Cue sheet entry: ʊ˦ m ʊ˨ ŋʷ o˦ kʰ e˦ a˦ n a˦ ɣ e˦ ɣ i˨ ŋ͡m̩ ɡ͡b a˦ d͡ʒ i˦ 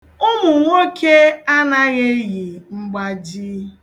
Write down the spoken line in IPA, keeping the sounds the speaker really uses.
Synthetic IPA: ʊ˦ m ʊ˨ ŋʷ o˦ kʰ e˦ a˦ n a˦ ɣ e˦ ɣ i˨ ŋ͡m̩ ɡ͡b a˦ d͡ʒ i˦